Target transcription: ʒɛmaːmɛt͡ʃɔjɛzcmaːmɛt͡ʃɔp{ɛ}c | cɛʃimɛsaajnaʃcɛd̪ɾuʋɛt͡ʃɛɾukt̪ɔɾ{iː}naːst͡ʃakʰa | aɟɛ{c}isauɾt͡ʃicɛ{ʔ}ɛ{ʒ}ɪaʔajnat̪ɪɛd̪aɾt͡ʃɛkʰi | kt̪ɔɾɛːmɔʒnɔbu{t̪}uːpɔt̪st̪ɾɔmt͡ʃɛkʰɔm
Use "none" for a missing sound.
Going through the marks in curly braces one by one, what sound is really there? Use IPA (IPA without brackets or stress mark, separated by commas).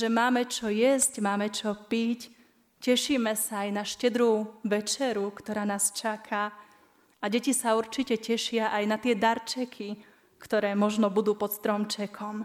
i, aː, c, c, ʃ, d̪